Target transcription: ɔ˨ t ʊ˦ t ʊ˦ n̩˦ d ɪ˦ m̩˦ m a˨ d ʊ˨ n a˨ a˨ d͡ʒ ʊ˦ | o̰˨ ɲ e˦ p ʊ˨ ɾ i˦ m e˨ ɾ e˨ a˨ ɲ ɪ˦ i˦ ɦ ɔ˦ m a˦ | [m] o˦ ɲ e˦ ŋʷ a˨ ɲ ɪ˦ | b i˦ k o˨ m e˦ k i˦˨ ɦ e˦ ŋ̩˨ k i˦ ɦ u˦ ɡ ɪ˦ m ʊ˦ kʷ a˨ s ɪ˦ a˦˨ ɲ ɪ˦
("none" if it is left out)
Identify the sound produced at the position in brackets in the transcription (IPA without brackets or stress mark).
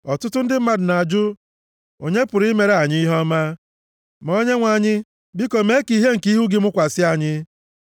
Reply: m